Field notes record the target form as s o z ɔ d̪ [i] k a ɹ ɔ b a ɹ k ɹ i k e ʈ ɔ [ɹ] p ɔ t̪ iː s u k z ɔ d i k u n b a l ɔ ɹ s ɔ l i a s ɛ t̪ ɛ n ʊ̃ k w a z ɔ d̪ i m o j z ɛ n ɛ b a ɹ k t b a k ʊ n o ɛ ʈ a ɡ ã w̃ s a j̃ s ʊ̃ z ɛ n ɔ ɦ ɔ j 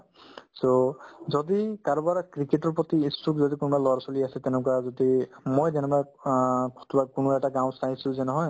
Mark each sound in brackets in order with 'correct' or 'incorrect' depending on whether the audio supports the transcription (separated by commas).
correct, correct